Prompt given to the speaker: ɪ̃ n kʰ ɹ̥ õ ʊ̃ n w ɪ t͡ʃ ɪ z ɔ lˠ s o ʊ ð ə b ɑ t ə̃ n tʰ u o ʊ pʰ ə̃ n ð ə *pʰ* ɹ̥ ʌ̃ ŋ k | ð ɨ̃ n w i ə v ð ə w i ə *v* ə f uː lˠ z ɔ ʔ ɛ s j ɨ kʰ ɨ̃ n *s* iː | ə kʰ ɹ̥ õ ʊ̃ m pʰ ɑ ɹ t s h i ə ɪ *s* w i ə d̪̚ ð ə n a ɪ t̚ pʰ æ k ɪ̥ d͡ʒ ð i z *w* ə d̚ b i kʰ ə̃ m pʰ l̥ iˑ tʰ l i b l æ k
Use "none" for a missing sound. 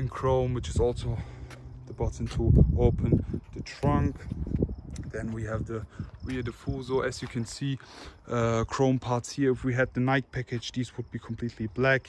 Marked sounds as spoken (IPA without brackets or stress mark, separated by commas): tʰ, ð, s, f, w